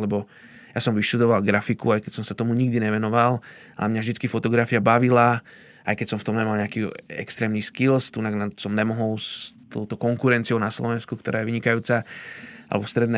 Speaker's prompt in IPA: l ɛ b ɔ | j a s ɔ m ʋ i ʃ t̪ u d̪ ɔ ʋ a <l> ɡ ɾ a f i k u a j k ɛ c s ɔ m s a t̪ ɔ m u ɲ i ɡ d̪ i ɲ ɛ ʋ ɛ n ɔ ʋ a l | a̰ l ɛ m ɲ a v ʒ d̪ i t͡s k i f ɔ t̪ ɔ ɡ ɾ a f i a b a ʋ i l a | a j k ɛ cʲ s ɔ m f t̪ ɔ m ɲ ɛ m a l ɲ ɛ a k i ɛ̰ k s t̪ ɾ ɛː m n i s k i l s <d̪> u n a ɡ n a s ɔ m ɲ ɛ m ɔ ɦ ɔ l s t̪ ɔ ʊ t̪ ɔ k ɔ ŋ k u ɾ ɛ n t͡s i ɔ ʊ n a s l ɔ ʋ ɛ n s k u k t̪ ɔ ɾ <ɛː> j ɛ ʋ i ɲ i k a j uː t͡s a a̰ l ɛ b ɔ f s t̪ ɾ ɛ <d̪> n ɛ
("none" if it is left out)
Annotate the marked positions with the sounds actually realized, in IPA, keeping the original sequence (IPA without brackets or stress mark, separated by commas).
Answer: l, t̪, aː, d̪